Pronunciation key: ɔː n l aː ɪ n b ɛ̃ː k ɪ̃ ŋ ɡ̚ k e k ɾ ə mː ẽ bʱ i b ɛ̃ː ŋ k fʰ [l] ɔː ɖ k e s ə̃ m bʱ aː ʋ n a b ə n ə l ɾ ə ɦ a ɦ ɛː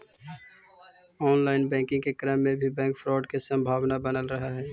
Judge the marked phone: incorrect: ɾ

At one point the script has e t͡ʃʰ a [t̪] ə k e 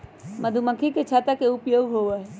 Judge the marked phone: correct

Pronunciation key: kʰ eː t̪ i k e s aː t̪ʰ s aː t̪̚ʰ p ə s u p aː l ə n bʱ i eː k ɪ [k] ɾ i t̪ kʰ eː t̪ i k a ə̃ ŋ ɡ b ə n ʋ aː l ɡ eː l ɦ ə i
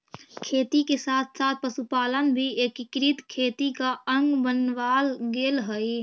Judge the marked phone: correct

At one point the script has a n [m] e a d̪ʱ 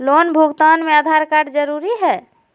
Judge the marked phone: correct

